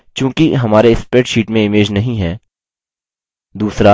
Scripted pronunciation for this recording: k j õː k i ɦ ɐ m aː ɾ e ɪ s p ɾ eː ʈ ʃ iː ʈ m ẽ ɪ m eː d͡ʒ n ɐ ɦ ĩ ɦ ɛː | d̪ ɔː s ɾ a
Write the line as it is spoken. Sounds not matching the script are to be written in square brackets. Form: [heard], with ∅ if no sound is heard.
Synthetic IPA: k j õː k i ɦ ɐ m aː ɾ e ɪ s p ɾ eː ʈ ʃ iː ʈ m ẽ ɪ m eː d͡ʒ n ɐ ɦ ĩ ɦ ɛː | d̪ [uː] s ɾ a